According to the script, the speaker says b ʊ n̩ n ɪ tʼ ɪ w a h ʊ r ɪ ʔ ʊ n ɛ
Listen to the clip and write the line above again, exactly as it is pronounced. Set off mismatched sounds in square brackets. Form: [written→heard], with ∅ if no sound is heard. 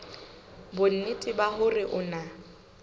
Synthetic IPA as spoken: b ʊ n̩ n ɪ tʼ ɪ [w→b] a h ʊ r ɪ ʔ ʊ n [ɛ→a]